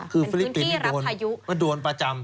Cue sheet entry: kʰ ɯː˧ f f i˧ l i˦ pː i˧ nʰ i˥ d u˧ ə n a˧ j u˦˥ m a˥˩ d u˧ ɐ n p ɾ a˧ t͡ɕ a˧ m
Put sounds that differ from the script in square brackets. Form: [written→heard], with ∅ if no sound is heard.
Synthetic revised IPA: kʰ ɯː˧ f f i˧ l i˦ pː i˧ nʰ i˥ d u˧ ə n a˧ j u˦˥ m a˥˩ d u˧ [ɐ→ə] n p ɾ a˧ t͡ɕ a˧ m